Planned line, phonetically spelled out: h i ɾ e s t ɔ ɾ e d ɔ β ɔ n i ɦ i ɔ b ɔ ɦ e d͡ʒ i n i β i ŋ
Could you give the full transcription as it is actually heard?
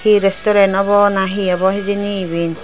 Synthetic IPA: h i ɾ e s t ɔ ɾ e n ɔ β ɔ n a ɦ i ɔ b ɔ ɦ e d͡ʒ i n i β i n